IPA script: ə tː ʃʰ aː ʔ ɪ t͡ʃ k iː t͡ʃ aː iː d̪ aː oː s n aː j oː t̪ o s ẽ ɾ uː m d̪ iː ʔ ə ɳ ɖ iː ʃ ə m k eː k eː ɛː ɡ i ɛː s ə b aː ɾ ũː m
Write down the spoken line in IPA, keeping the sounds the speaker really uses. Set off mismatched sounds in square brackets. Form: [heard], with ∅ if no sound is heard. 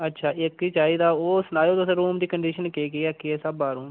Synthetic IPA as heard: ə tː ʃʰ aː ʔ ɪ [∅] k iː t͡ʃ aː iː d̪ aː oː s n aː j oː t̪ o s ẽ ɾ uː m d̪ iː [k] ə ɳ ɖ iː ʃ ə [n] k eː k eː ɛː [k] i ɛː s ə b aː ɾ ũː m